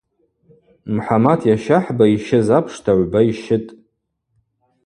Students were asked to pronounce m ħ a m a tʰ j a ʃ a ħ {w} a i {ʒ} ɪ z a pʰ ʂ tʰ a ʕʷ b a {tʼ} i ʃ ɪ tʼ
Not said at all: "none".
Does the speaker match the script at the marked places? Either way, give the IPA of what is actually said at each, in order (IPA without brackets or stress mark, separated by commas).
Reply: b, ʃ, none